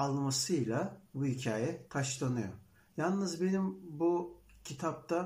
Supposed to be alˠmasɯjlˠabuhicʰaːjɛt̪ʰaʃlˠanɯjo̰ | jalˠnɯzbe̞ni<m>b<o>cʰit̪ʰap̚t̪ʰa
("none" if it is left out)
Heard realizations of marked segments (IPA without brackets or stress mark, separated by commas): m, u